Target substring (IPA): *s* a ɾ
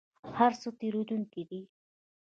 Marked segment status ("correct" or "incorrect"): incorrect